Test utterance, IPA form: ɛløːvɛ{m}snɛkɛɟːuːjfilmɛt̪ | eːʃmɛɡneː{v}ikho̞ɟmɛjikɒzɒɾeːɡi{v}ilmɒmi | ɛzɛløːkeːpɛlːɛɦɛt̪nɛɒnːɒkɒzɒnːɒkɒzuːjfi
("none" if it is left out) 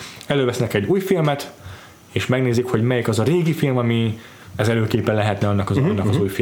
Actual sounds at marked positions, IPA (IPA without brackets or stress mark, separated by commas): none, z, f